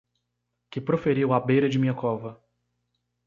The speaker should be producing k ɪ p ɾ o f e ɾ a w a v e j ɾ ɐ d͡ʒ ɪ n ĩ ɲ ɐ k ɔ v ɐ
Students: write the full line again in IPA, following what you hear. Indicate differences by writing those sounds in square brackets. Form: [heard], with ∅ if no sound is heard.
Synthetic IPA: k ɪ p ɾ o f e ɾ [i] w a [b] e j ɾ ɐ d͡ʒ ɪ [m] ĩ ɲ ɐ k ɔ v ɐ